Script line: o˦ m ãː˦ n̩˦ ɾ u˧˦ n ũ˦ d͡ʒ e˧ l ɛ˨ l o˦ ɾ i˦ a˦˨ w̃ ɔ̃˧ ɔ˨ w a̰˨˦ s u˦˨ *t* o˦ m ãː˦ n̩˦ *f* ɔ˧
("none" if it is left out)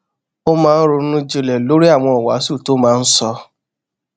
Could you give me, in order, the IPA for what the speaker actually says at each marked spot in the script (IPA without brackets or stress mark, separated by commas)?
t, s